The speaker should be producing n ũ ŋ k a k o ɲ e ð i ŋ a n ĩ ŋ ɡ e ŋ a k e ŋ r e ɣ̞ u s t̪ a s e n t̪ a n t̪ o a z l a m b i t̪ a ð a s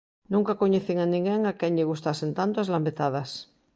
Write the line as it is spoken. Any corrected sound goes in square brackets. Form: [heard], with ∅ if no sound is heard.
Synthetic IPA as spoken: n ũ ŋ k a k o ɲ e [θ] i ŋ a n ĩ ŋ ɡ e ŋ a k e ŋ [ʎ] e ɣ̞ u s t̪ a s e n t̪ a n t̪ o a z l a m b [e] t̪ a ð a s